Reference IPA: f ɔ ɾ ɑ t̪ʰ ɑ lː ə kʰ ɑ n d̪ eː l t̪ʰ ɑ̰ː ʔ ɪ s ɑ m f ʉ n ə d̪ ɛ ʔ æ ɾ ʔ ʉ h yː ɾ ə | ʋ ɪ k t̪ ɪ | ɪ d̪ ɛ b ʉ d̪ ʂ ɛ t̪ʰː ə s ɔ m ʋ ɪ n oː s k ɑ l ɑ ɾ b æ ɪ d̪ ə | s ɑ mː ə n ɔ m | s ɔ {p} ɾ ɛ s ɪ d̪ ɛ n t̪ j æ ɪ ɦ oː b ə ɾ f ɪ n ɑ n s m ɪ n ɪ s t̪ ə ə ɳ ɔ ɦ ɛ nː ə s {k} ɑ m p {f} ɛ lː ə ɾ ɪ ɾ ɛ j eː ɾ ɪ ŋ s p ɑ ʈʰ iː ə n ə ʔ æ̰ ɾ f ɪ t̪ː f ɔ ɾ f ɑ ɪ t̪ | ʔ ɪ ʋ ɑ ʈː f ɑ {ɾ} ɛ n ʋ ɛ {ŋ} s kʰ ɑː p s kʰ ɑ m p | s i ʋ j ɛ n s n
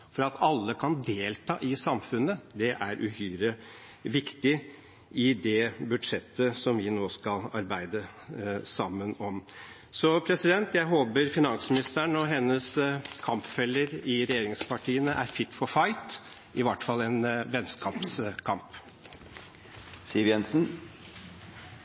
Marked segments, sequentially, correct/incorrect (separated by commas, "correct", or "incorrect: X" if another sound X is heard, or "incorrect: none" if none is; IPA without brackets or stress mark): incorrect: pʰ, incorrect: kʰ, correct, incorrect: l, incorrect: n